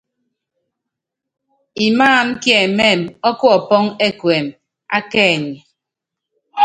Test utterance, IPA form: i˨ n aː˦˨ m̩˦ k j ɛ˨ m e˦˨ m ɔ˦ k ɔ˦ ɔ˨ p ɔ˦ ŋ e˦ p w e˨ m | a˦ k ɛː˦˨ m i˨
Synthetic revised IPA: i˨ m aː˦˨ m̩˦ k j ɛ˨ m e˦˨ m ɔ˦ k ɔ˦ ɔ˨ p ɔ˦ ŋ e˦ k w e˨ m | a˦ k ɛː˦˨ ɲ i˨